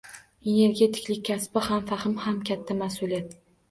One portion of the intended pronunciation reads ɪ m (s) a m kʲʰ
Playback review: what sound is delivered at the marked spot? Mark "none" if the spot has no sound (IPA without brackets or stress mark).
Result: h